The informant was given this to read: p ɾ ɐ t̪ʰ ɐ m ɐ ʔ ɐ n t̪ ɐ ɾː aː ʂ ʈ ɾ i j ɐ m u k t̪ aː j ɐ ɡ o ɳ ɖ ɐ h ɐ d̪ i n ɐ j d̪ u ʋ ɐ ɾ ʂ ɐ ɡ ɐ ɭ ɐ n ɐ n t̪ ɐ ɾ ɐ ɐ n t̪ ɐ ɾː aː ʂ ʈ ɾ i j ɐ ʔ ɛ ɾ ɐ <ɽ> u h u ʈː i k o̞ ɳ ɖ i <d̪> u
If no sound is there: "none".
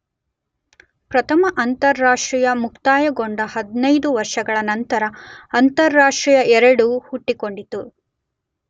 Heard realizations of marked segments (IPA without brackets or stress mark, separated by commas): ɽ, t̪